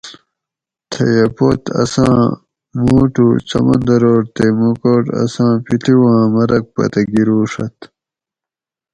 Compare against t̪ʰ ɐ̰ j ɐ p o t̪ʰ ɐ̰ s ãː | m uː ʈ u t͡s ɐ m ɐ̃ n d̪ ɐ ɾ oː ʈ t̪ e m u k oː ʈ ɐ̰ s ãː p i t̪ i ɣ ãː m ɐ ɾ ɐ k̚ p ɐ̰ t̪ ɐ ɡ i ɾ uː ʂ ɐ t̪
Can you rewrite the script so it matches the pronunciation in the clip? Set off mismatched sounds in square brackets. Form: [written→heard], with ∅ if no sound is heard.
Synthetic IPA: t̪ʰ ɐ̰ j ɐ p o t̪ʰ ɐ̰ s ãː | m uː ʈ u t͡s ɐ m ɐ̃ n d̪ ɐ ɾ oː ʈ t̪ e m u k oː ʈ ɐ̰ s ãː p i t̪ i [ɣ→w] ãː m ɐ ɾ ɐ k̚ p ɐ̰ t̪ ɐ ɡ i ɾ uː ʂ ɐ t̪